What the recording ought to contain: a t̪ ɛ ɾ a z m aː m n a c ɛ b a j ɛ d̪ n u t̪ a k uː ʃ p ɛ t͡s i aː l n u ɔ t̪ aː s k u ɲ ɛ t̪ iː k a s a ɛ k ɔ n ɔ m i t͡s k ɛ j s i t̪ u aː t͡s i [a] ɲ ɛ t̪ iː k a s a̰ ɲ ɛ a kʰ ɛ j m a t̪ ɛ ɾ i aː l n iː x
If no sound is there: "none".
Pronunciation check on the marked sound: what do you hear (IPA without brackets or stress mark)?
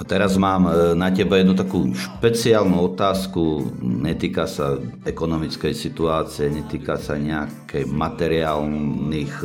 ɛ